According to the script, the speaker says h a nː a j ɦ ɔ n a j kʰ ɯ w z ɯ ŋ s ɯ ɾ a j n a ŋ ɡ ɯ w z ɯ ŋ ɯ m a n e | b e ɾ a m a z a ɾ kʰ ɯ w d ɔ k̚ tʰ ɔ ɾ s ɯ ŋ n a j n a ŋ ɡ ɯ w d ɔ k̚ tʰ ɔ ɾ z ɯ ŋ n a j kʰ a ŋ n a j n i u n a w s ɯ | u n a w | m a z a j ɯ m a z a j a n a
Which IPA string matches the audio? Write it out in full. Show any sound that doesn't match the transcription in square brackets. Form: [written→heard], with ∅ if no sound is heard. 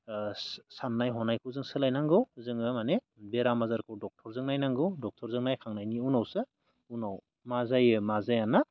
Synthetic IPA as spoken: [h→s] a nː a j ɦ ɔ n a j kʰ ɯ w z ɯ ŋ s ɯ [ɾ→l] a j n a ŋ ɡ ɯ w z ɯ ŋ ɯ m a n e | b e ɾ a m a z a ɾ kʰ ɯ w d ɔ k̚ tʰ ɔ ɾ [s→z] ɯ ŋ n a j n a ŋ ɡ ɯ w d ɔ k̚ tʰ ɔ ɾ z ɯ ŋ n a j kʰ a ŋ n a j n i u n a w s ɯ | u n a w | m a z a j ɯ m a z a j a n a